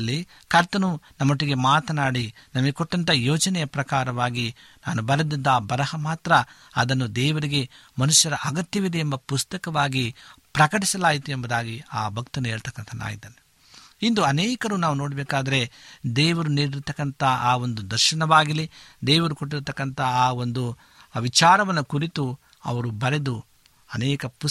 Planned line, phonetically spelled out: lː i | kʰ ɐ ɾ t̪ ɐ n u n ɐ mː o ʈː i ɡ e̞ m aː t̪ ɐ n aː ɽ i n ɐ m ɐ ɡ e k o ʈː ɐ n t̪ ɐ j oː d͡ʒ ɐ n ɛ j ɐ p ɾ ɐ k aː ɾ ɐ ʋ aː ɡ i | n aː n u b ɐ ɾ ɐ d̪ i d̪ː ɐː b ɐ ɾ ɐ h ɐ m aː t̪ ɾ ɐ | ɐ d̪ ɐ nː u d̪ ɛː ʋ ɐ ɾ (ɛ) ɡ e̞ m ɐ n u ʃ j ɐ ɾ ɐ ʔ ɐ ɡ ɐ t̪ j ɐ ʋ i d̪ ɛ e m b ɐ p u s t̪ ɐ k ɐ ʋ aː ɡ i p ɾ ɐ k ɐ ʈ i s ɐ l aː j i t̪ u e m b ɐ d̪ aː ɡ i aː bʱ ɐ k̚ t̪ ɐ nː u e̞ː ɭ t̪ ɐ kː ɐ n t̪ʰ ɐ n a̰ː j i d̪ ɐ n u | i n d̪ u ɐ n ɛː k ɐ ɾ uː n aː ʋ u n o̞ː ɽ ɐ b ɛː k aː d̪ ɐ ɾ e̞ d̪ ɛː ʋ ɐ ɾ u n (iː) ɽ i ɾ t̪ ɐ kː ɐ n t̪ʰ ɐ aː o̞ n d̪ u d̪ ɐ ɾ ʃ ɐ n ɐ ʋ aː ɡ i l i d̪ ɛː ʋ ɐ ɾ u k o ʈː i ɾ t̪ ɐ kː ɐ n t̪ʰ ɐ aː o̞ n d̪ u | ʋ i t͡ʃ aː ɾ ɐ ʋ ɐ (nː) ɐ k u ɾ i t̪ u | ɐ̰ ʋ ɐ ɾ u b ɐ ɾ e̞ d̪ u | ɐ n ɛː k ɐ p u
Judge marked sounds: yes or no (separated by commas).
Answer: no, yes, yes